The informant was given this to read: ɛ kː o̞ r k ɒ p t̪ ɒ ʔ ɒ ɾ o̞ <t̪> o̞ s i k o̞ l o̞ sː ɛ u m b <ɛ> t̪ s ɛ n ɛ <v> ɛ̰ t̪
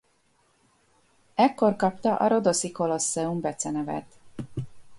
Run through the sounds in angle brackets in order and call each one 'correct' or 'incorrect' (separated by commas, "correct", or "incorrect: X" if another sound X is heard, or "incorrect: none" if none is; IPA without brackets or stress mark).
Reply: incorrect: d̪, correct, correct